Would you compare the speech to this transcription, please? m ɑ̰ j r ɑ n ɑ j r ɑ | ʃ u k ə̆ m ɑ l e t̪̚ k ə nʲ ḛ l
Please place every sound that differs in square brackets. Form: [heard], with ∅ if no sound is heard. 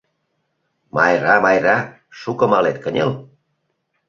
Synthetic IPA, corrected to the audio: m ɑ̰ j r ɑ [m] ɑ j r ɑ | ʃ u k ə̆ m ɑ l e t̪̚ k ə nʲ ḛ l